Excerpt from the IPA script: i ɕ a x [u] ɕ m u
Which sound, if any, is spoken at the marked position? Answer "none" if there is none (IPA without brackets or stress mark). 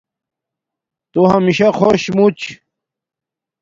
o